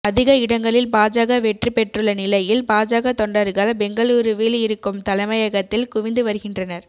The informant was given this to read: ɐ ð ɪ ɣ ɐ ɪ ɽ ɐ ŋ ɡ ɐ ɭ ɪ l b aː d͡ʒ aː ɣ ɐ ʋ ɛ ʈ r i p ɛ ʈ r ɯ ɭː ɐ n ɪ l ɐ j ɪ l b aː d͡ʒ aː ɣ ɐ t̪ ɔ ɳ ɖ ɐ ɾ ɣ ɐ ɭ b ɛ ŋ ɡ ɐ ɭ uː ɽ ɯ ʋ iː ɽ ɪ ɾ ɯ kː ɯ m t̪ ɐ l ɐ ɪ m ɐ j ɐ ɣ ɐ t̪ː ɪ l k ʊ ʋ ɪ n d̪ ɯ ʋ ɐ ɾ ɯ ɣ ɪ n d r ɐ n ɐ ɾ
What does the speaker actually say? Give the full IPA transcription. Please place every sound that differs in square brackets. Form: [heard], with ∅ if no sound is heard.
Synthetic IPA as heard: ɐ ð ɪ ɣ ɐ ɪ ɽ ɐ ŋ ɡ ɐ ɭ ɪ l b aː d͡ʒ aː ɣ ɐ ʋ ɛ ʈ r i p ɛ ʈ r ɯ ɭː ɐ n ɪ l ɐ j ɪ l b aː d͡ʒ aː ɣ ɐ t̪ ɔ ɳ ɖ ɐ ɾ ɣ ɐ ɭ b ɛ ŋ ɡ ɐ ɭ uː [ɾ] ɯ ʋ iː [l] ɪ ɾ ɯ kː ɯ m t̪ ɐ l ɐ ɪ m ɐ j ɐ ɣ ɐ t̪ː ɪ l k ʊ ʋ ɪ n d̪ ɯ ʋ ɐ ɾ ɯ ɣ ɪ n d r ɐ n ɐ ɾ